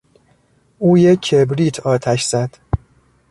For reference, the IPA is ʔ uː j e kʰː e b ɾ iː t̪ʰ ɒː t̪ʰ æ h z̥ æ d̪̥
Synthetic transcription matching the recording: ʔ uː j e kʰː e b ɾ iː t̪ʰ ɒː t̪ʰ æ ʃ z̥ æ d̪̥